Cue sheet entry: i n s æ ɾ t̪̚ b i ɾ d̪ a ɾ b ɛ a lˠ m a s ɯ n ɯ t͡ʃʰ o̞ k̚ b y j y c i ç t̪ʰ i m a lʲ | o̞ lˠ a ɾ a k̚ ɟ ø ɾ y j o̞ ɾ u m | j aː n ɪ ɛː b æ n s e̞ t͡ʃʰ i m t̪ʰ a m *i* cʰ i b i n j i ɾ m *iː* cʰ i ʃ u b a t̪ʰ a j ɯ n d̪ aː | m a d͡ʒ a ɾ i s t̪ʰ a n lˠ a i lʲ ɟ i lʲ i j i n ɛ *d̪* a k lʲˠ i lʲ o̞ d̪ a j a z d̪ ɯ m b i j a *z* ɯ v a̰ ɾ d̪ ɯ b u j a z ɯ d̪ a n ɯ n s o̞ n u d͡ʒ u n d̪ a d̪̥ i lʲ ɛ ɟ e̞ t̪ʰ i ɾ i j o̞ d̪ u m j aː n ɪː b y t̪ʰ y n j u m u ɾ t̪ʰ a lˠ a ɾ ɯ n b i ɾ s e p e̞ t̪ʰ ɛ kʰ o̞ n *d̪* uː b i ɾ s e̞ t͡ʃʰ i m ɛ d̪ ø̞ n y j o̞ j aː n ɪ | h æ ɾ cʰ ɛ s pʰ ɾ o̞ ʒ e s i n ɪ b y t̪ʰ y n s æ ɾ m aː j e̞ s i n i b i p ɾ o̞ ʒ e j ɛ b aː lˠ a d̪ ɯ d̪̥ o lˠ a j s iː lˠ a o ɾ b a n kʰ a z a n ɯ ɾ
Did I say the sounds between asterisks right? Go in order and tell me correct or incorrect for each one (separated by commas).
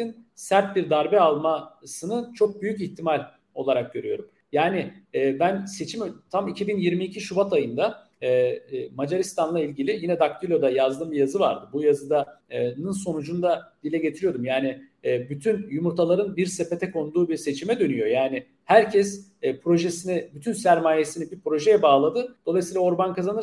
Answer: correct, correct, correct, correct, correct